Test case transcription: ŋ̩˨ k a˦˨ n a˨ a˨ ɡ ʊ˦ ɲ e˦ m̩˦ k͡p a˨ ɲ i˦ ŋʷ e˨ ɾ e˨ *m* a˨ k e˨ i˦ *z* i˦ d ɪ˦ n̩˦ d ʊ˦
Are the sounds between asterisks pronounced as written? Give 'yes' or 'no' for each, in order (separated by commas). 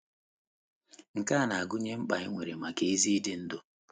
yes, yes